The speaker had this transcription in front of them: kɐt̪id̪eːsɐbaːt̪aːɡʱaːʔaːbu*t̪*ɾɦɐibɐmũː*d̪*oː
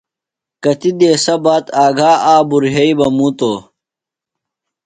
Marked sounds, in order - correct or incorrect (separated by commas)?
incorrect, incorrect